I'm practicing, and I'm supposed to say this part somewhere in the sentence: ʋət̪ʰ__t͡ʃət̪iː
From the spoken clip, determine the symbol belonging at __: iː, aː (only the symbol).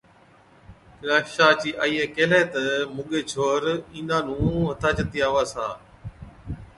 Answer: aː